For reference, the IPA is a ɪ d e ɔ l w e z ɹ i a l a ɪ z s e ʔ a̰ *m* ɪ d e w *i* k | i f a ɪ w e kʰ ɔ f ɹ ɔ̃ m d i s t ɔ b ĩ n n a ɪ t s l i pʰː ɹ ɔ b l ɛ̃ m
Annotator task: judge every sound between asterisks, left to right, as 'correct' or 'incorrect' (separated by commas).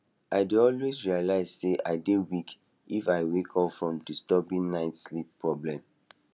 incorrect, correct